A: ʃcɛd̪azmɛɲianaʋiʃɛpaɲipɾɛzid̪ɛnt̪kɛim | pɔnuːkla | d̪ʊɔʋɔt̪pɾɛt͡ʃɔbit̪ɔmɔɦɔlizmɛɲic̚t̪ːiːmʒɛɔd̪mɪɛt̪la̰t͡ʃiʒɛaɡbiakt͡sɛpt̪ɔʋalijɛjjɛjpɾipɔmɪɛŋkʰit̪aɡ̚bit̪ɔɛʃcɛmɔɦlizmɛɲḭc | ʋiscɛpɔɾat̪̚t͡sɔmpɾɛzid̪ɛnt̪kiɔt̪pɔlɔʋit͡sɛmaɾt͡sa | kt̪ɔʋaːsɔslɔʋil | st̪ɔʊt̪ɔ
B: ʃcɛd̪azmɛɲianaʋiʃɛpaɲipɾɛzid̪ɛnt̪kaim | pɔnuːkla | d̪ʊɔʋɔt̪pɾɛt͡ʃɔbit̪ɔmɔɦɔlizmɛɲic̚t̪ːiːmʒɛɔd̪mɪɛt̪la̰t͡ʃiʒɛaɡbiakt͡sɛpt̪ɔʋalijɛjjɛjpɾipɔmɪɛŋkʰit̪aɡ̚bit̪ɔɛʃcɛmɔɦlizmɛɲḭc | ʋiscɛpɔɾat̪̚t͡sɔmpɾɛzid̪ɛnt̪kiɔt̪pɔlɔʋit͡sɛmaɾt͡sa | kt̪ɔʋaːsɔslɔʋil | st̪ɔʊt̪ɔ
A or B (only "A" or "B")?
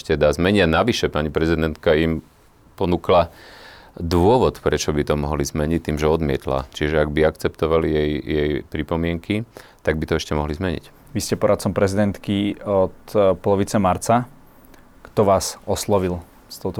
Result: B